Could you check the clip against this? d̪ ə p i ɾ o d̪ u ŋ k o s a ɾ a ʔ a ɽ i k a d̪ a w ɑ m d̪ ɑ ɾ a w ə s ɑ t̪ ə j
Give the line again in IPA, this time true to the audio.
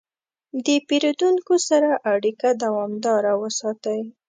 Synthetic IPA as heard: d̪ ə p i ɾ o d̪ u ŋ k o s a ɾ a ʔ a ɽ i k a d̪ a w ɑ m d̪ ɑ ɾ a w ə s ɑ t̪ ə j